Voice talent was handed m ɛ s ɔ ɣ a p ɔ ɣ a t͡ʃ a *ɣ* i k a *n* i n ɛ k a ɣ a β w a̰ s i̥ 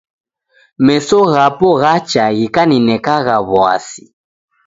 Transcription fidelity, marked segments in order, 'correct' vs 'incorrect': correct, correct

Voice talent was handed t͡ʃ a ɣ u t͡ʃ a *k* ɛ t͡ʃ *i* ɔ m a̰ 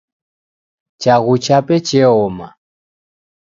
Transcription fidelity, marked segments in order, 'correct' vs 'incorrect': incorrect, incorrect

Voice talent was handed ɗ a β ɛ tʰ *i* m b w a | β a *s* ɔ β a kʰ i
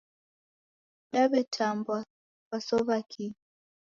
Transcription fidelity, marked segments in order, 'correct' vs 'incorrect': incorrect, correct

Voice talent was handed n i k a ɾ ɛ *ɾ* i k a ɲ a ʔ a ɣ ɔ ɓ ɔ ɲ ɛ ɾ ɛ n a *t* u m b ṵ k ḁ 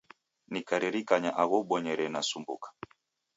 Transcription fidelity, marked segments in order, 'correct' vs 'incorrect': correct, incorrect

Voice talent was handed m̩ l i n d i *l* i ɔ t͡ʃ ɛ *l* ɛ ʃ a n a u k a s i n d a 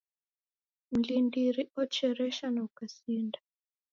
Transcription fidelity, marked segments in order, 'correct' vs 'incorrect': incorrect, incorrect

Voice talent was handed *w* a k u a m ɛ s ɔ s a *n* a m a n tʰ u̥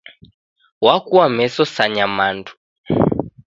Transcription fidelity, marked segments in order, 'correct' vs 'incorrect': correct, incorrect

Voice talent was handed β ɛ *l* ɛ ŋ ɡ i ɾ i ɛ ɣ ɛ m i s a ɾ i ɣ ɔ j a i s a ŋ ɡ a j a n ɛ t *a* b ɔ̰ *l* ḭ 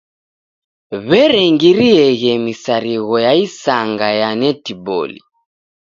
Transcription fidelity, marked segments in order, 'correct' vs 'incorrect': incorrect, incorrect, correct

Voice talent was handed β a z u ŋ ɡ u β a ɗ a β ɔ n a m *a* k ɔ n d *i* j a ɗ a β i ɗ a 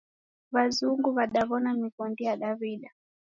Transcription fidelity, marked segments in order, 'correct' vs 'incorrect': incorrect, correct

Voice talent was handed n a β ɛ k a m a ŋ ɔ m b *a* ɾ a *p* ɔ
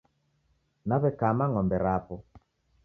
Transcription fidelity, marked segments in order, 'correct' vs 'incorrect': incorrect, correct

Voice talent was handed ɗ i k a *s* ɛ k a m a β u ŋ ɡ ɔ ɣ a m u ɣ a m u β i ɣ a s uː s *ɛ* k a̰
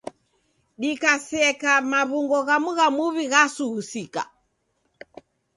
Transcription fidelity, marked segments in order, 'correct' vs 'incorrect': correct, incorrect

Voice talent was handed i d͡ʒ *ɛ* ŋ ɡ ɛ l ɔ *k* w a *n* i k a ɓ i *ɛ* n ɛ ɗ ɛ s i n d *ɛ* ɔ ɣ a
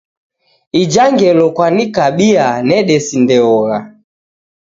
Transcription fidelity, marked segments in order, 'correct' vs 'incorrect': incorrect, correct, correct, incorrect, correct

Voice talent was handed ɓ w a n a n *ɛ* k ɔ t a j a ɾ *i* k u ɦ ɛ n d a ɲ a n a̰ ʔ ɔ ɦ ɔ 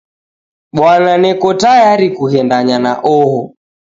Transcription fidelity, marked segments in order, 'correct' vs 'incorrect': correct, correct

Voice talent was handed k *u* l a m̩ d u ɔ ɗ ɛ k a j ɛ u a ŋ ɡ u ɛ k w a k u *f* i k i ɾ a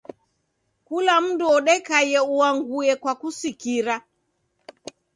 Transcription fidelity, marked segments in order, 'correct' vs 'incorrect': correct, incorrect

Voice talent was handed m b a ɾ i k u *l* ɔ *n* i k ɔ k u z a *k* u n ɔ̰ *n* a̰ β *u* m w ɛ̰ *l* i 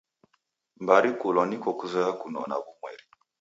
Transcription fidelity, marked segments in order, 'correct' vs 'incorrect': correct, correct, correct, correct, correct, incorrect

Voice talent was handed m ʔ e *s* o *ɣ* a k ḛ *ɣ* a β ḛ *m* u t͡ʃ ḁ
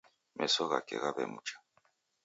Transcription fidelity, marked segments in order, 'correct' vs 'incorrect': correct, correct, correct, correct

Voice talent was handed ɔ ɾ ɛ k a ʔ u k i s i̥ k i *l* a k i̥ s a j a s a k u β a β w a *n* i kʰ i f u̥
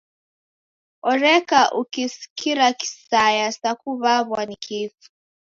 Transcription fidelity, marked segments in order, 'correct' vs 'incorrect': incorrect, correct

